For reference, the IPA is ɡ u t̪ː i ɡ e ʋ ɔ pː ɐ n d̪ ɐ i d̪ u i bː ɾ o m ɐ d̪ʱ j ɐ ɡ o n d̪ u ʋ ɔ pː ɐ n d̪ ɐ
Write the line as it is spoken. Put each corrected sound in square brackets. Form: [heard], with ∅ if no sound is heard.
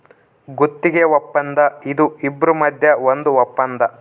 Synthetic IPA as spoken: ɡ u t̪ː i ɡ e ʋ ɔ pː ɐ n d̪ ɐ i d̪ u i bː ɾ [u] m ɐ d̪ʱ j ɐ [∅] o n d̪ u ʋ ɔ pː ɐ n d̪ ɐ